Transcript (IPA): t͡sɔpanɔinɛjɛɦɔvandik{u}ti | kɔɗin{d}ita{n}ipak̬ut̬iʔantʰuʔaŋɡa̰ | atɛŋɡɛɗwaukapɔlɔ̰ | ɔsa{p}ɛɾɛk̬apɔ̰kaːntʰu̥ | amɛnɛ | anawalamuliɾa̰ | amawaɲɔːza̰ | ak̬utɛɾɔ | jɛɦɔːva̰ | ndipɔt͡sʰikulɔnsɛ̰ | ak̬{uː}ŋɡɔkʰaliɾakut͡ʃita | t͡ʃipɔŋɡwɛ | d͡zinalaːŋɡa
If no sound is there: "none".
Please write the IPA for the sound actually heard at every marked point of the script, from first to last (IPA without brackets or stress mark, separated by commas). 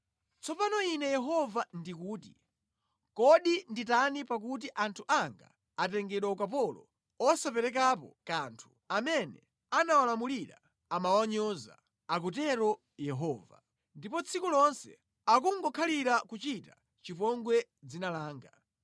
uː, d, n, p, u